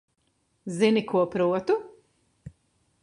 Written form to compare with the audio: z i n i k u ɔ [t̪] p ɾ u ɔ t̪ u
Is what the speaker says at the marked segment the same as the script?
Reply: no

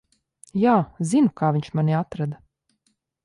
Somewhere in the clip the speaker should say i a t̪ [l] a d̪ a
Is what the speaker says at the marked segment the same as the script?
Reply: no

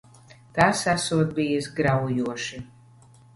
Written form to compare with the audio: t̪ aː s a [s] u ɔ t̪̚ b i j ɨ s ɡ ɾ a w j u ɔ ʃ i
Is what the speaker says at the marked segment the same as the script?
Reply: yes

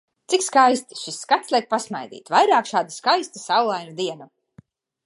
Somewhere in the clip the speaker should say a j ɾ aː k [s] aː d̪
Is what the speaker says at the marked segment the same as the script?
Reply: no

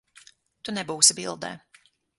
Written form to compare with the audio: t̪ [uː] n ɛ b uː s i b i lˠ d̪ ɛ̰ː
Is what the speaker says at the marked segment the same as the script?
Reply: no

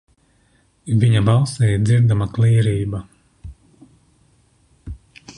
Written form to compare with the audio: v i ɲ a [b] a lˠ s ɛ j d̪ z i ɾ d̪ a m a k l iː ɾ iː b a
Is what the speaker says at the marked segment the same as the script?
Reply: yes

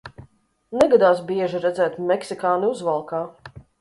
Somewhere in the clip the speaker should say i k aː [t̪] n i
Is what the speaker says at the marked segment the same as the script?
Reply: no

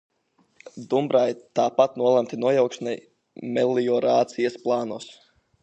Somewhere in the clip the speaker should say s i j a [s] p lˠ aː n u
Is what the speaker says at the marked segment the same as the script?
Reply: yes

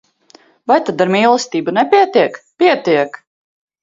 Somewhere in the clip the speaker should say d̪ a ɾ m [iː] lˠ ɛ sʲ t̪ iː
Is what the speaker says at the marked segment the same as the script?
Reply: yes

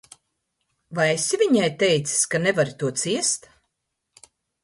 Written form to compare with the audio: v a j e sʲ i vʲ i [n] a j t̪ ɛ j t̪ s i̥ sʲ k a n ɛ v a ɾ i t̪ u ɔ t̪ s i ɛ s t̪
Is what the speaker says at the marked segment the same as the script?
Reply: no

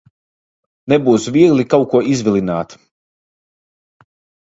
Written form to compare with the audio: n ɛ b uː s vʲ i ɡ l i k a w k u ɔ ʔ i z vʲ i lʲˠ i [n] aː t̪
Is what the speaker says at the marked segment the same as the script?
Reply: yes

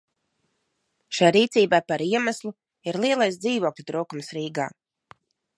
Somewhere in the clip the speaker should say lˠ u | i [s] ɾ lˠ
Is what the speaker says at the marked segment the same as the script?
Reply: no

